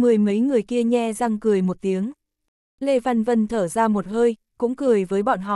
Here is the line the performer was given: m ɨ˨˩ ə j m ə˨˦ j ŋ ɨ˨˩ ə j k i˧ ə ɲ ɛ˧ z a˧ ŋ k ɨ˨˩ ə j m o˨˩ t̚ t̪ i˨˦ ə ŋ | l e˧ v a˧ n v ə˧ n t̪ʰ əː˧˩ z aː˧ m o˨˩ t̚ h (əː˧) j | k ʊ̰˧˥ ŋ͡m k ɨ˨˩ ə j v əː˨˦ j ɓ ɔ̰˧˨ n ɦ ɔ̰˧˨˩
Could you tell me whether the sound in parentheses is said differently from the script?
no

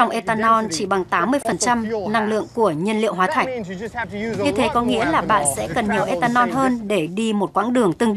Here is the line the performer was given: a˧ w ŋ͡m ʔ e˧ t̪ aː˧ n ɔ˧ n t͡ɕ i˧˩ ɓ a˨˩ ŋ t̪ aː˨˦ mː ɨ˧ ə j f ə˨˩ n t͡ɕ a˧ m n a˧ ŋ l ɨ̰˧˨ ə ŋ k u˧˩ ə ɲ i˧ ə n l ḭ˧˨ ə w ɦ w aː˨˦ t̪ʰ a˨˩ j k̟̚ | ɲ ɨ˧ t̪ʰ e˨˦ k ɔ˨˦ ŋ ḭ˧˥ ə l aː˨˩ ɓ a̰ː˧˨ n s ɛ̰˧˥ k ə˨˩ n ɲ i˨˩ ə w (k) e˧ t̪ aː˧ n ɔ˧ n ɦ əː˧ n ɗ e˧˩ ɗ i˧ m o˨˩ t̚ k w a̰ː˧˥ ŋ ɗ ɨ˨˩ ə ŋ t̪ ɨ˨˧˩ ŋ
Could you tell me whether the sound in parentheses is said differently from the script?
yes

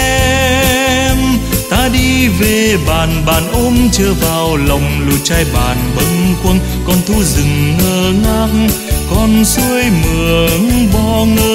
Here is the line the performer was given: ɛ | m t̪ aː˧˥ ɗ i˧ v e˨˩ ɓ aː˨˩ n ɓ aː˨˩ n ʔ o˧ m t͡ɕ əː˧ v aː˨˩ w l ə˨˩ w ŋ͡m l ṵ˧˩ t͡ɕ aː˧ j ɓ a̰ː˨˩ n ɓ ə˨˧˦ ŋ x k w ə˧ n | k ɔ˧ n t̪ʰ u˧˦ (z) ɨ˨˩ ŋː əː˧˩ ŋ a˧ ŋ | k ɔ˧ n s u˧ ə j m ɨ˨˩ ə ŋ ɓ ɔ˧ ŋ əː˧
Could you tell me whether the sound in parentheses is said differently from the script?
no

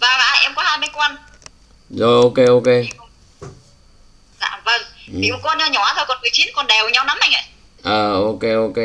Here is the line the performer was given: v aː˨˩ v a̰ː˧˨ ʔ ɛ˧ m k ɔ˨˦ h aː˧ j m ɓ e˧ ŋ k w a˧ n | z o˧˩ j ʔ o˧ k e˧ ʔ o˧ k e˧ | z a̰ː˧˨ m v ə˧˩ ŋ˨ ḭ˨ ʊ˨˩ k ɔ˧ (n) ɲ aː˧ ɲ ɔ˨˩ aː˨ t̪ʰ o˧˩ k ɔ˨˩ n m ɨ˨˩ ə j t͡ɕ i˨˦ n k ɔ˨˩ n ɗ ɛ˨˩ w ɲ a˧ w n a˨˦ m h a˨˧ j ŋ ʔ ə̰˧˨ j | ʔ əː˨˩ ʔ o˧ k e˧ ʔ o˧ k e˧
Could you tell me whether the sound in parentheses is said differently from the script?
no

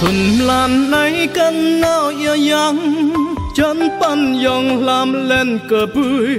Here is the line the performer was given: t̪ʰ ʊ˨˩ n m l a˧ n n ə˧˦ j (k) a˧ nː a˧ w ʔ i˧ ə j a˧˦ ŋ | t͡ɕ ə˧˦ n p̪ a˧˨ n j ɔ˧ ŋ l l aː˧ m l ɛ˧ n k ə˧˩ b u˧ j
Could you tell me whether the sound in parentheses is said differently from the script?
no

